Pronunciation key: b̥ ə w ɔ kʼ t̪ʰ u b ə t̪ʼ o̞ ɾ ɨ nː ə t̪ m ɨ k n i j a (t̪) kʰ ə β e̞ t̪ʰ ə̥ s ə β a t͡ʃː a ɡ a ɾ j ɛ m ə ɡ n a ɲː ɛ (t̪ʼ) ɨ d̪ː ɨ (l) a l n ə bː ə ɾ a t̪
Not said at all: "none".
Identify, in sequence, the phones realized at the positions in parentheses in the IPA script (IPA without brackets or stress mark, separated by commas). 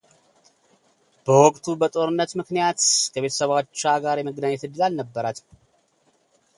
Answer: t̪, t̪, l